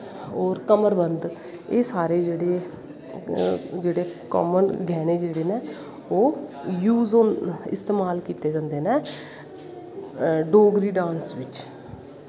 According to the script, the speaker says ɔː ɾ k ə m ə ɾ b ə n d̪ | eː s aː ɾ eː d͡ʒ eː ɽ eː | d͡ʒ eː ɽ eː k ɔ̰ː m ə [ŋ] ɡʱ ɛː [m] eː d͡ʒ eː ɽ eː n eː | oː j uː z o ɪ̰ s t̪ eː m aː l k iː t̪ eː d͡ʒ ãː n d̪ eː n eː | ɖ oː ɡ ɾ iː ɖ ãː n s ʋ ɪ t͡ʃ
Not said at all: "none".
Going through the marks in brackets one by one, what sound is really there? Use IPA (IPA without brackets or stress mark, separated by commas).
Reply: n, n